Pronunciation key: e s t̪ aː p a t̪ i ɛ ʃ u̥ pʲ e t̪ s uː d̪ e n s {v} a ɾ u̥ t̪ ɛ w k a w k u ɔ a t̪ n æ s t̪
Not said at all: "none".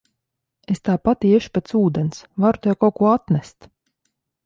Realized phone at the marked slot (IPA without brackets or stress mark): v